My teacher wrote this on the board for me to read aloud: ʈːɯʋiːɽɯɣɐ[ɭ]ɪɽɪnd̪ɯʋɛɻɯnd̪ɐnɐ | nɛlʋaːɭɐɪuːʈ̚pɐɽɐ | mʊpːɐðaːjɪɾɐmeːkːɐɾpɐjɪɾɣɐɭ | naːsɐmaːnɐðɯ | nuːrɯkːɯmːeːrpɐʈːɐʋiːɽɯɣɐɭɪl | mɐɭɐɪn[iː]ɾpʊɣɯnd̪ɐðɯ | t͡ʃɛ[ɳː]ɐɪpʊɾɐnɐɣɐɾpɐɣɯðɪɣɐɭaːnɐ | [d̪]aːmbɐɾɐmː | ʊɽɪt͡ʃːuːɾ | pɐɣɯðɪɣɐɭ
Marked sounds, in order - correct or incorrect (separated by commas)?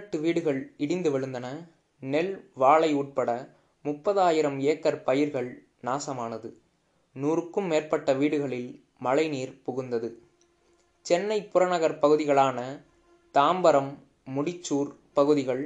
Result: correct, correct, incorrect, incorrect